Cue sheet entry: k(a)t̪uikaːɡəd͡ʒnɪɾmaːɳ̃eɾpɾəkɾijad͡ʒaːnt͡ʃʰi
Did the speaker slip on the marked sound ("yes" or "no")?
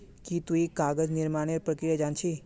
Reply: yes